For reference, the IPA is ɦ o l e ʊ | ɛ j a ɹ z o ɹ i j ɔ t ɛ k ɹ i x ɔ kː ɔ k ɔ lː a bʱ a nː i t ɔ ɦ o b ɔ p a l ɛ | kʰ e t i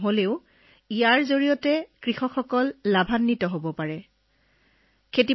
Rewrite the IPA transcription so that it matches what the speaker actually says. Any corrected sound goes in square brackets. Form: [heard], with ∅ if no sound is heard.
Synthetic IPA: ɦ o l e ʊ | [i] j a ɹ z o ɹ i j ɔ t ɛ k ɹ i x ɔ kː ɔ k ɔ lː a bʱ a nː i t ɔ ɦ o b ɔ p a [ɹ] ɛ | kʰ e t i